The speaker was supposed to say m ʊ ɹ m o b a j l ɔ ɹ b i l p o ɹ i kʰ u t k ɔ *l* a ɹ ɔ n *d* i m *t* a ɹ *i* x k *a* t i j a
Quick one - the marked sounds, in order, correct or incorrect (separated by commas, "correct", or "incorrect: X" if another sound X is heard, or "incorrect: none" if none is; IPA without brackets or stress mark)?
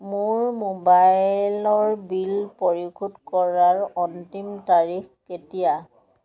incorrect: ɹ, incorrect: t, correct, correct, incorrect: e